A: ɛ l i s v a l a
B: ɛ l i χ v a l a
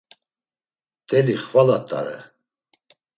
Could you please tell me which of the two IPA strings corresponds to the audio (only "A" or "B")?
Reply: B